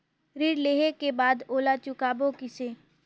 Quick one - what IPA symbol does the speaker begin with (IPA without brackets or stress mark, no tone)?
ɾ